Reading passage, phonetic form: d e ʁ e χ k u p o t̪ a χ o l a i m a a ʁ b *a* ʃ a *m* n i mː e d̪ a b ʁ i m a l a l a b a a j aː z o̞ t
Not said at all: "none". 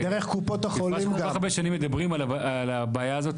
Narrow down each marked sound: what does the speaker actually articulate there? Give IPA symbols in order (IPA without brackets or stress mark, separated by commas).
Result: e, none